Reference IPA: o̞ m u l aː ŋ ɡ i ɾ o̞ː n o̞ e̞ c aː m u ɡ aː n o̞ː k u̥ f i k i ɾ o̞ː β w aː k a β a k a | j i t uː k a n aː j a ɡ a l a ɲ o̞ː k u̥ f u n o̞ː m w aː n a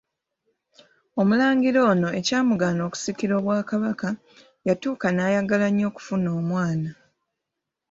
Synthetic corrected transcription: o̞ m u l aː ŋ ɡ i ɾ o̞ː n o̞ e̞ c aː m u ɡ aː n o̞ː k u̥ s i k i ɾ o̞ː β w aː k a β a k a | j a t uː k a n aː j a ɡ a l a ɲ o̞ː k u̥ f u n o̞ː m w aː n a